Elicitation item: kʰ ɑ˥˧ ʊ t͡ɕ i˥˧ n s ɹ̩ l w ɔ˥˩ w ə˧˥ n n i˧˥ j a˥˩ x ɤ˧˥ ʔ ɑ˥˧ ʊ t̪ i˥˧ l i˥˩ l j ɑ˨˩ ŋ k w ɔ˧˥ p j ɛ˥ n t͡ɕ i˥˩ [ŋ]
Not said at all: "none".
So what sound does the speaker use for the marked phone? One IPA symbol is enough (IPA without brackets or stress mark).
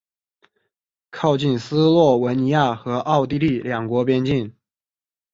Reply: n